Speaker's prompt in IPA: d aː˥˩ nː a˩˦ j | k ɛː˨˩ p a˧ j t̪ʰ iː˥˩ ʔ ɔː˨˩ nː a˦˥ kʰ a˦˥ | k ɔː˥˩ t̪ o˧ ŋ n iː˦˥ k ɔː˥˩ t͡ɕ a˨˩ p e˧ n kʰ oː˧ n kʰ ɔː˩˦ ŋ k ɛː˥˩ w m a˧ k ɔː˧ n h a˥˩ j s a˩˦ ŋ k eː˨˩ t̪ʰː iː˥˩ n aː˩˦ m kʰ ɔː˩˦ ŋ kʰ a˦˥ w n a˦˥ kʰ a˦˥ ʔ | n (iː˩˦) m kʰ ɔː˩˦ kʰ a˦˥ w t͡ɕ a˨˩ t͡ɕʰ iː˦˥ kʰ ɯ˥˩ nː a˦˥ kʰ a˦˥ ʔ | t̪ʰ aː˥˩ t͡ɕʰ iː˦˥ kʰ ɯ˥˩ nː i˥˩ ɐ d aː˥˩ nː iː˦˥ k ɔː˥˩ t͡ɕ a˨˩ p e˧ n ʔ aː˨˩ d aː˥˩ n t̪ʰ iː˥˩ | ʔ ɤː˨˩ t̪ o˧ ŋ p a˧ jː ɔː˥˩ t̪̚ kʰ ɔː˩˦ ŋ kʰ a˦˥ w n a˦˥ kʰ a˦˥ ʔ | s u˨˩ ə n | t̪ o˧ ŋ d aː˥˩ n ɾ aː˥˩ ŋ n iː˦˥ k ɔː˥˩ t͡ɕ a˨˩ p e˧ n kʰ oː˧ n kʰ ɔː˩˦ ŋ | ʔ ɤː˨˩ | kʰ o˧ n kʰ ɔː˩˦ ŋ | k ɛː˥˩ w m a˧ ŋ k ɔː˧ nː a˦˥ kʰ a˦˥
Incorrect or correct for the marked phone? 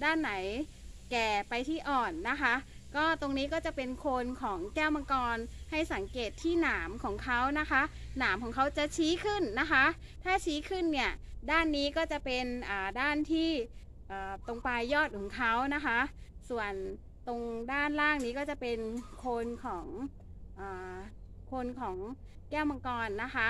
incorrect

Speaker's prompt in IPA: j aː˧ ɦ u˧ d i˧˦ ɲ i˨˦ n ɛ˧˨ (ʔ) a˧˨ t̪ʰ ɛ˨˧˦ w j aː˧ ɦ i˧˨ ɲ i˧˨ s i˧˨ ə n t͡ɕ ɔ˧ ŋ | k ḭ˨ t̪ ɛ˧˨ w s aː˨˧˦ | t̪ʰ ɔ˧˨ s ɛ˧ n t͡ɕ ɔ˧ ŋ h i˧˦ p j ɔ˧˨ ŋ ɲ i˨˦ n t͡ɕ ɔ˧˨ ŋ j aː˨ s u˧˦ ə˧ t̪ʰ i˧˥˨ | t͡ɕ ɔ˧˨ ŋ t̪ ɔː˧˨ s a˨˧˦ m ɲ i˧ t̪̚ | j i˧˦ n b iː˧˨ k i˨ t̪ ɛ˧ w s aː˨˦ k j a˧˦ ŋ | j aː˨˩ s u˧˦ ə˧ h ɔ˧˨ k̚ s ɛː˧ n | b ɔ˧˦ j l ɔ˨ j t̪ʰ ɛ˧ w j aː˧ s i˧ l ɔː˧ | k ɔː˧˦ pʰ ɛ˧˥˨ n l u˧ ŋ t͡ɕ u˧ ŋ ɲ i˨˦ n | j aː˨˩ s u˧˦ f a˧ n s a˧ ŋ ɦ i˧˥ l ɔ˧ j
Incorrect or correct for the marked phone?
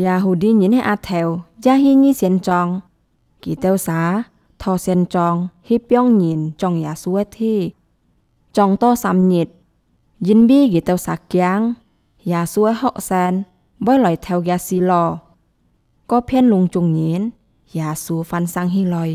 correct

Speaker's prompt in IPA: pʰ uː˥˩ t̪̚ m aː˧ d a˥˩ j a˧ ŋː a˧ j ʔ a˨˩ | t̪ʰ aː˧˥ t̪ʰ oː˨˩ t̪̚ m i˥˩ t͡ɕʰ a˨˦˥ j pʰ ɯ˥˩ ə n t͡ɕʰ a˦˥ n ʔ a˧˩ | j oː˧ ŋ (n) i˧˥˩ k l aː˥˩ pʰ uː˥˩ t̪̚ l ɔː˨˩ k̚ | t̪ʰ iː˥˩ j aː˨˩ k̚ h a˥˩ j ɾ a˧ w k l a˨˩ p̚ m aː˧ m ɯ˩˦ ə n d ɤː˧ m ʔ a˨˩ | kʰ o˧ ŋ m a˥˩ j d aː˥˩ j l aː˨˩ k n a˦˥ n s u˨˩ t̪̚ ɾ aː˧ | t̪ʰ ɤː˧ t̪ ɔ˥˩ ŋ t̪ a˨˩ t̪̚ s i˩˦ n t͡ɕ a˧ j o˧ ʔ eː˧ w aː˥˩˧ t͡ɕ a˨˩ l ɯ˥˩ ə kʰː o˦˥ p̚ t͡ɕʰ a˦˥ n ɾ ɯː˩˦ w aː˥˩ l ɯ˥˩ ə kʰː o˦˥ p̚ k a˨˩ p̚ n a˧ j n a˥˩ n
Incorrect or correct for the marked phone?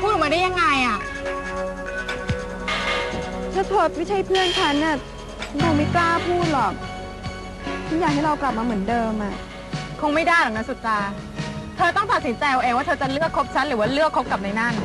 incorrect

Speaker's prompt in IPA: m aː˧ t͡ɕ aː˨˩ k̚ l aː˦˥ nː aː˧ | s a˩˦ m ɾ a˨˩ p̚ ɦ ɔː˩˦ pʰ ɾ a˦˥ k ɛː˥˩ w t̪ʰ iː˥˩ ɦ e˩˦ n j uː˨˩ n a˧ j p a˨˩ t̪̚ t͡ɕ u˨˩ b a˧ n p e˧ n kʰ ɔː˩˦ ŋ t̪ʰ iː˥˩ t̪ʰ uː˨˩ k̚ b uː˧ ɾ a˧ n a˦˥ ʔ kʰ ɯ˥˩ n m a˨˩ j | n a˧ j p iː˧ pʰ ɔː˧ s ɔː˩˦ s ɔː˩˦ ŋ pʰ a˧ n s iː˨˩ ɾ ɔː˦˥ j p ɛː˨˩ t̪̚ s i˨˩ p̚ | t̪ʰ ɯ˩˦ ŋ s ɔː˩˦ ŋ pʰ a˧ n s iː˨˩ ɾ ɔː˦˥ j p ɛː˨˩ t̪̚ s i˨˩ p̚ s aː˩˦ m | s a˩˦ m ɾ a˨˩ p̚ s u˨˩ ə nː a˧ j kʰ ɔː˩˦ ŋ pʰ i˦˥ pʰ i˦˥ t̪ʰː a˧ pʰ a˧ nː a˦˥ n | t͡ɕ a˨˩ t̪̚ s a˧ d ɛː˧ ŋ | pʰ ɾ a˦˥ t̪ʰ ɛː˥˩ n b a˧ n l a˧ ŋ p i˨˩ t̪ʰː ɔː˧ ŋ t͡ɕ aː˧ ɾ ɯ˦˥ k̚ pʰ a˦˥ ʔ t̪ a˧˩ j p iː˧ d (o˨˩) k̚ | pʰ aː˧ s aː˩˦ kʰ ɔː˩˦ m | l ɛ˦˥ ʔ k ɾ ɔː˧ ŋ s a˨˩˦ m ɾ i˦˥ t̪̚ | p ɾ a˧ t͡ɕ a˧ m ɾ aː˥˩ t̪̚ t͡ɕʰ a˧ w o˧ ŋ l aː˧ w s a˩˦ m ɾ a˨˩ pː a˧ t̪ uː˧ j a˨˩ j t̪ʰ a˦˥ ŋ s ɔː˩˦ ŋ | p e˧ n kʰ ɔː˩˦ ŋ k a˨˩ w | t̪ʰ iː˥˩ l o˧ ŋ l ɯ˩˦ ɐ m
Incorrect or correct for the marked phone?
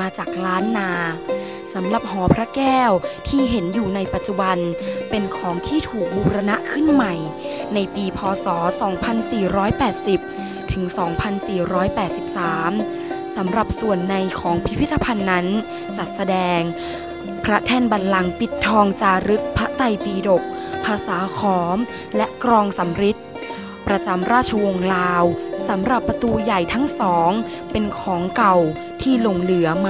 correct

